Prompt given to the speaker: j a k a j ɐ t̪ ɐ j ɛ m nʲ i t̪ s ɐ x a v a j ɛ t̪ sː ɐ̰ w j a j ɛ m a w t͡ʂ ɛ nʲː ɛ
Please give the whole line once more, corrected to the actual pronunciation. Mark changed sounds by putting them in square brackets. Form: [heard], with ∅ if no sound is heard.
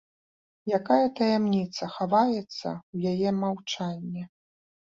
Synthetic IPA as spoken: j a k a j ɐ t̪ ɐ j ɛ m nʲ i t̪ s ɐ x a v a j ɛ t̪ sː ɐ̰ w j a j ɛ m a w t͡ʂ [a] nʲː ɛ